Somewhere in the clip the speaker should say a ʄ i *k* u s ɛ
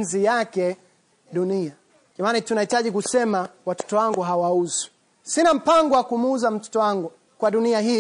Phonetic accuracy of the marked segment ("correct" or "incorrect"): correct